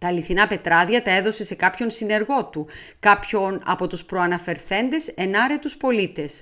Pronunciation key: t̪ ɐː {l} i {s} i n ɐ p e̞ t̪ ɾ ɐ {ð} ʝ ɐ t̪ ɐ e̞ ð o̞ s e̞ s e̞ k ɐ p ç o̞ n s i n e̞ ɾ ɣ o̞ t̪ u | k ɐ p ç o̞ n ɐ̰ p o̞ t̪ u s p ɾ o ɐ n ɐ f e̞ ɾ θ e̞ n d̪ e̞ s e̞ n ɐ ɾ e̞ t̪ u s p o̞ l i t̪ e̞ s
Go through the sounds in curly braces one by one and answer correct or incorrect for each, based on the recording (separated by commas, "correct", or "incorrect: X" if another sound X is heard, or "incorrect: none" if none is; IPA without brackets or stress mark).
correct, incorrect: θ, correct